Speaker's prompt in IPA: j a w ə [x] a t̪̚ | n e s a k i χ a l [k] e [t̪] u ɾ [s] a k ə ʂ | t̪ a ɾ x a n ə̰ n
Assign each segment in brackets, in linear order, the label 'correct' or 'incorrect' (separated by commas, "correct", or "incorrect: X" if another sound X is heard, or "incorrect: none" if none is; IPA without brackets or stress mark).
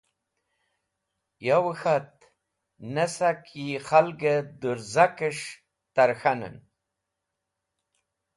correct, incorrect: ɡ, incorrect: d̪, incorrect: z